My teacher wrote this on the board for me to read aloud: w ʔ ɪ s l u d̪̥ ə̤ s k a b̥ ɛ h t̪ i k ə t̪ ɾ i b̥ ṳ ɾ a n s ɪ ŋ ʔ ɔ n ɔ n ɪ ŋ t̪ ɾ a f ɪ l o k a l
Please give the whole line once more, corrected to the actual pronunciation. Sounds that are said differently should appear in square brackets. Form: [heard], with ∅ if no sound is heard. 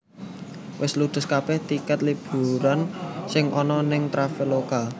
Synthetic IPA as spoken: w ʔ ɪ s l u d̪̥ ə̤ s k a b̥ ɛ h t̪ i k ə t̪ [l] i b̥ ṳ ɾ a n s ɪ ŋ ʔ ɔ n ɔ n ɪ ŋ t̪ ɾ a f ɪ l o k a l